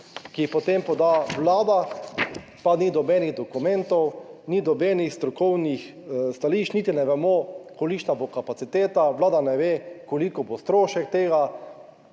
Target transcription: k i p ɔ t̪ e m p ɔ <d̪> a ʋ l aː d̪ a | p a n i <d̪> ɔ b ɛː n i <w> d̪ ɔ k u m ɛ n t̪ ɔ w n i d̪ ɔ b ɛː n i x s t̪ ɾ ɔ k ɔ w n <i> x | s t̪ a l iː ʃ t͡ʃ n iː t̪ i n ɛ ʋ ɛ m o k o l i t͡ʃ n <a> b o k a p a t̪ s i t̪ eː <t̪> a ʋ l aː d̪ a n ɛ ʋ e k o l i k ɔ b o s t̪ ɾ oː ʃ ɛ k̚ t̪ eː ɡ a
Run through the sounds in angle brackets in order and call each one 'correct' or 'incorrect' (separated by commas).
correct, correct, incorrect, correct, correct, correct